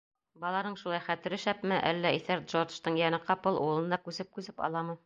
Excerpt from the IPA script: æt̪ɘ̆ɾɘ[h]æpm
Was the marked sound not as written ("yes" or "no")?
yes